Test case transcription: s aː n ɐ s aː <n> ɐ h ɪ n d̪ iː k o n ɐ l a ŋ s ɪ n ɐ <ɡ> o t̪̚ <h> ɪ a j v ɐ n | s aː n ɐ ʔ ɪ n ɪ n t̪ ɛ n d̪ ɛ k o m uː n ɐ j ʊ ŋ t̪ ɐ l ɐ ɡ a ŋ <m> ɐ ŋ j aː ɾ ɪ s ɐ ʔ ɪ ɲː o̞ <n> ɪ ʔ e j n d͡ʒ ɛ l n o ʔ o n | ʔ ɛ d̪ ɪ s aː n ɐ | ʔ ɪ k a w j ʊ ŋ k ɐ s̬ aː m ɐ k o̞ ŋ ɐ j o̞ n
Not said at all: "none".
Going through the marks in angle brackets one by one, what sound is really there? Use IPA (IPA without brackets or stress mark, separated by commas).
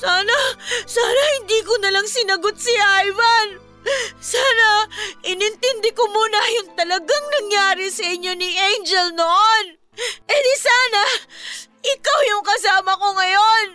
n, ɡ, s, n, n